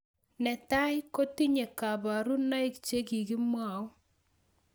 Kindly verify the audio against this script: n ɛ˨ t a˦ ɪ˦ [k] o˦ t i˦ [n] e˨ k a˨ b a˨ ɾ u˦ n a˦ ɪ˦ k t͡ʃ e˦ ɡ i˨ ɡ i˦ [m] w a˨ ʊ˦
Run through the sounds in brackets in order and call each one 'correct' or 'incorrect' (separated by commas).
correct, incorrect, correct